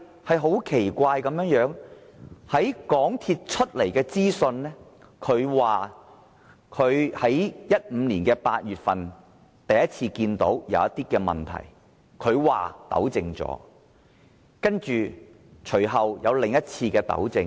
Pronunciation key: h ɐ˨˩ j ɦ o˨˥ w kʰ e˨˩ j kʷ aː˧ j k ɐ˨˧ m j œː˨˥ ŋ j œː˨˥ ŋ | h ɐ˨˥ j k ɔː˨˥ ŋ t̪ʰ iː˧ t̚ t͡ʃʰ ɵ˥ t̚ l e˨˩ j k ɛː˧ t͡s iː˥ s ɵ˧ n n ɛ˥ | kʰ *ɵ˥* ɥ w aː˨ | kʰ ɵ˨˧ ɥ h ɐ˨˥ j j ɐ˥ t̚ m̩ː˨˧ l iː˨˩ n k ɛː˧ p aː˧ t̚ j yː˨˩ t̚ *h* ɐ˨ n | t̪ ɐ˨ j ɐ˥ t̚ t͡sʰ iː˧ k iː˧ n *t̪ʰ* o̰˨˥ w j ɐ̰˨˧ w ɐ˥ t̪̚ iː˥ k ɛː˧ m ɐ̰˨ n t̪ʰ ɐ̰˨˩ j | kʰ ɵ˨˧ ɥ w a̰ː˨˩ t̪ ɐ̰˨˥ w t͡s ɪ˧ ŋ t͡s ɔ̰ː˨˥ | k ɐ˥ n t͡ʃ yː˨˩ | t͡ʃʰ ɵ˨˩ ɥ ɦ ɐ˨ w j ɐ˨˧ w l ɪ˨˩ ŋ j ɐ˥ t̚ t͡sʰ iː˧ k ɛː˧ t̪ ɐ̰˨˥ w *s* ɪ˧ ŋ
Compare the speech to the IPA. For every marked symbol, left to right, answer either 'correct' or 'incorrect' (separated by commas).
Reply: incorrect, incorrect, incorrect, incorrect